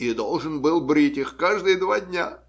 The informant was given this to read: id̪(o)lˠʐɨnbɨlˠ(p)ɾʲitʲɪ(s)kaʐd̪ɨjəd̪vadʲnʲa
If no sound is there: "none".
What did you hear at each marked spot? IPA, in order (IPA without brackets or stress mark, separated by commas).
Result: o, b, x